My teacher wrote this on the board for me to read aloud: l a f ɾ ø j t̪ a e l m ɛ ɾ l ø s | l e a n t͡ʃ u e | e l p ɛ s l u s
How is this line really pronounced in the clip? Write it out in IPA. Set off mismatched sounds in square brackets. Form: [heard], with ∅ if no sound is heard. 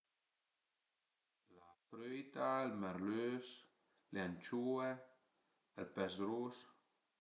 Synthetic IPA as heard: l a f ɾ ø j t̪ a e l m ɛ ɾ l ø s | l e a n t͡ʃ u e | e l p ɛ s [ɾ] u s